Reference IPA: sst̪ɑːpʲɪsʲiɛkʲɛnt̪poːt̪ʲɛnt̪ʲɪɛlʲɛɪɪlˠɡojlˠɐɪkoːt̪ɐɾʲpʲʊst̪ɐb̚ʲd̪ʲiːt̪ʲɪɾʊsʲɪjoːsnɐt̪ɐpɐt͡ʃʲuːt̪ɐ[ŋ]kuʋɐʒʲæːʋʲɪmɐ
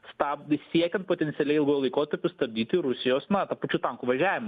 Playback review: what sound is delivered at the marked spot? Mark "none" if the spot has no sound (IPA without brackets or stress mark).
ŋ